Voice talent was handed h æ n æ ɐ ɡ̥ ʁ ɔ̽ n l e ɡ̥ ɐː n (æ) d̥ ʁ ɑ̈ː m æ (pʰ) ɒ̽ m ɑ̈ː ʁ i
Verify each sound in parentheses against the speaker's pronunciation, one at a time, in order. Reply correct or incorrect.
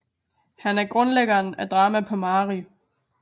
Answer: correct, correct

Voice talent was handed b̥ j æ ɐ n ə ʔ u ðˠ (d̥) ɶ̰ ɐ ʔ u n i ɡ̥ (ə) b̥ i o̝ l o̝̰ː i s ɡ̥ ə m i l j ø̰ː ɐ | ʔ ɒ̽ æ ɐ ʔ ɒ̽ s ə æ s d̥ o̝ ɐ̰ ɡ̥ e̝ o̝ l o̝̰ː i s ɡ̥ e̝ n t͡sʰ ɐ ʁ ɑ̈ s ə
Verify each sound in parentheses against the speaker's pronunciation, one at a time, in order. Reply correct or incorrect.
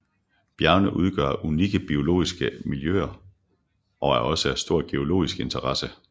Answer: incorrect, correct

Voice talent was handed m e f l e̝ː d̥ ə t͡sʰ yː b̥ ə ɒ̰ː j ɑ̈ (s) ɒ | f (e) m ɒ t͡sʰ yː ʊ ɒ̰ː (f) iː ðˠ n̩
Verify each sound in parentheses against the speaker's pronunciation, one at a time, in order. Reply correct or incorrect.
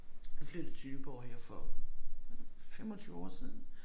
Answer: incorrect, correct, incorrect

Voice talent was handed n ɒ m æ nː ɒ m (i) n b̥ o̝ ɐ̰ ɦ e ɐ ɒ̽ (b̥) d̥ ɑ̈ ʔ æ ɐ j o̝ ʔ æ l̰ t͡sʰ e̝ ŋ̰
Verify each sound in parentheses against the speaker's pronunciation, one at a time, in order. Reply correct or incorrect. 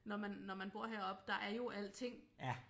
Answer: incorrect, correct

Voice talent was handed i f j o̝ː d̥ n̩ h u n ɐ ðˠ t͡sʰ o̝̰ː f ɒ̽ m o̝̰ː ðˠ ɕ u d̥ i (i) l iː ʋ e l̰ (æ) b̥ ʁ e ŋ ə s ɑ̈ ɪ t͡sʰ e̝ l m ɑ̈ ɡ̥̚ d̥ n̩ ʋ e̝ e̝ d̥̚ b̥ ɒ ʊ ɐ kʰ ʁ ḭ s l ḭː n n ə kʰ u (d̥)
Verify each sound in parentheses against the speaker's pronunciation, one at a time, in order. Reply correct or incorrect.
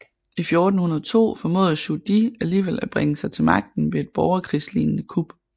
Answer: incorrect, correct, incorrect

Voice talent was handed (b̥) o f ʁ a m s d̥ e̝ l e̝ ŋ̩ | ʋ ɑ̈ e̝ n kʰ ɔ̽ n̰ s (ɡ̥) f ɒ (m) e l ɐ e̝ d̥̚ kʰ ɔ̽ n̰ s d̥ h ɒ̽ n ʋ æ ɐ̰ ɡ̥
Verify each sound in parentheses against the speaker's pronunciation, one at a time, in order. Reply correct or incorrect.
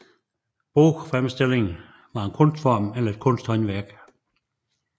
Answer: correct, incorrect, correct

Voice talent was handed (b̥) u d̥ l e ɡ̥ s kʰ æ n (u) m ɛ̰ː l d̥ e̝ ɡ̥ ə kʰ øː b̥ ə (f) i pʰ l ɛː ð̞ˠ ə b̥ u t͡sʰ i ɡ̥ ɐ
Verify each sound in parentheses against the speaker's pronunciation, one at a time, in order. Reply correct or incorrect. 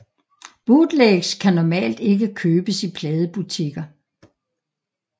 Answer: correct, incorrect, incorrect

